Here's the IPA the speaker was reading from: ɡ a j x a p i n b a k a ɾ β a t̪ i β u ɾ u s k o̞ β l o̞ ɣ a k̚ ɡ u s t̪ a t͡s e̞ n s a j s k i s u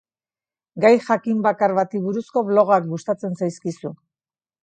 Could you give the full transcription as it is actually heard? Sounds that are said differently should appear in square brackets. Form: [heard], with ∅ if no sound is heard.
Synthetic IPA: ɡ a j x a [k] i [m] b a k a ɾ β a t̪ i β u ɾ u s k o̞ β l o̞ ɣ a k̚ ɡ u s t̪ a t͡s e̞ n s a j s k i s u